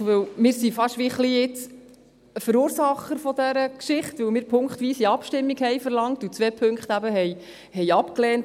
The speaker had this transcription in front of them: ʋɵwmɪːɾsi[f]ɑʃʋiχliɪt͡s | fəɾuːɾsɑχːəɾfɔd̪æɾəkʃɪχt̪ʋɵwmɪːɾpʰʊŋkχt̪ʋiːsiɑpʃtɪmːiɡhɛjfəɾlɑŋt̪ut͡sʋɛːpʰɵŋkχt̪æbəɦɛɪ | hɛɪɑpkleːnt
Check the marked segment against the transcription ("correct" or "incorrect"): correct